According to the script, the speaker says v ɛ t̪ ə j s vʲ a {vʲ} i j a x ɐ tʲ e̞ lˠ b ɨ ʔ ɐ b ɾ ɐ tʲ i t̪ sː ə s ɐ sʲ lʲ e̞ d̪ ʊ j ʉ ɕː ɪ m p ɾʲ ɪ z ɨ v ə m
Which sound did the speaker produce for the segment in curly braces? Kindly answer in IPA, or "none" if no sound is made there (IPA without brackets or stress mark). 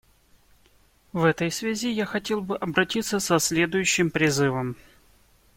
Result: zʲ